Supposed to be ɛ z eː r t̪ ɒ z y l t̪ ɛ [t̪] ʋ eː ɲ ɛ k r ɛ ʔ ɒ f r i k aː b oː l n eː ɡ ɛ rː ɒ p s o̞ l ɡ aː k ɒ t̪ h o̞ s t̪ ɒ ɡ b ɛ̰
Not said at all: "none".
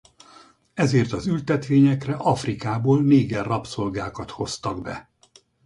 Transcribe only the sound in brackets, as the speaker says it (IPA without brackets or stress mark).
t̪